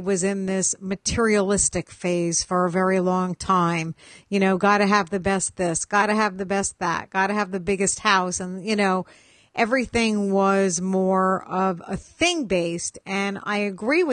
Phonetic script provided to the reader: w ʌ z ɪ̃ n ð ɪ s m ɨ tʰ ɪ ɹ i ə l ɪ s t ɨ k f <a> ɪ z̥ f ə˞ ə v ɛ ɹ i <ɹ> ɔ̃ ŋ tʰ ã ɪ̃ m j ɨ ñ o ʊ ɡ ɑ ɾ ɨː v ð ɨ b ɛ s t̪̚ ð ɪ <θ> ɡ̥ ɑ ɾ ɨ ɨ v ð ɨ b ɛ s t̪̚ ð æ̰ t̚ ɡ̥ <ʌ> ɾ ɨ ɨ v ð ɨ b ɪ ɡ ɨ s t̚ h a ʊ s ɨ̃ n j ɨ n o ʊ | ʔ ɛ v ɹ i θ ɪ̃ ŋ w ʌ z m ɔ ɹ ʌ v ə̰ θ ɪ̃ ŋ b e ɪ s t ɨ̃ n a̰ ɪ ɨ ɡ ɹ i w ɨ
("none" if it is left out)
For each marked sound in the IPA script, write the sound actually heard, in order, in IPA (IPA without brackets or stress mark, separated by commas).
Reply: e, l, s, ɑ